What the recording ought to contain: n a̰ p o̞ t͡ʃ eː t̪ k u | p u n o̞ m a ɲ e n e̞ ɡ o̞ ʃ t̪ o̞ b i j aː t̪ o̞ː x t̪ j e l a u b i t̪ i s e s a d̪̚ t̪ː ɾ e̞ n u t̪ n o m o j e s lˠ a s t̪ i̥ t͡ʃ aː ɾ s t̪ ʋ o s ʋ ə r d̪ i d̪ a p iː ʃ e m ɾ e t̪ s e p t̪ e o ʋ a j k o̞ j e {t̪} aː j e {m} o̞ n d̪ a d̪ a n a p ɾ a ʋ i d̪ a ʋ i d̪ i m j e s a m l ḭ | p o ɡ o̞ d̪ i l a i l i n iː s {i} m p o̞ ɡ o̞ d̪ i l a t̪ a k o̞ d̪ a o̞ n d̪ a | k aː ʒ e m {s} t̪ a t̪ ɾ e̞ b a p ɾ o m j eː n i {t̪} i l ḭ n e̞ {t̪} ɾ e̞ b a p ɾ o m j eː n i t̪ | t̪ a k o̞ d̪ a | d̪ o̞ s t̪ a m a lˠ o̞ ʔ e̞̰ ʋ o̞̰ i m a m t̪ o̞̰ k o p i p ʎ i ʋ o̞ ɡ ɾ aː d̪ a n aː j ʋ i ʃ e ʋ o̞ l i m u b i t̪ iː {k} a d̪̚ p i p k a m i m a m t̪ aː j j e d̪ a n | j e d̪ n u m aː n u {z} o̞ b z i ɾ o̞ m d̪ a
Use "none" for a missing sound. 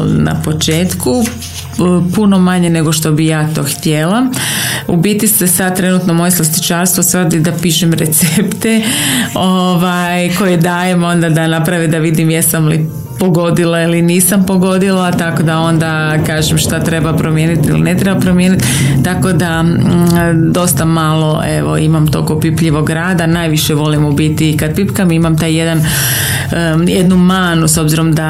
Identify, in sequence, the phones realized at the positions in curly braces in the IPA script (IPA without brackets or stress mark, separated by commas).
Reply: d̪, m, a, ʃ, t̪, t̪, k, s